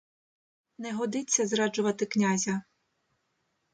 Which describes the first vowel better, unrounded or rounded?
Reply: unrounded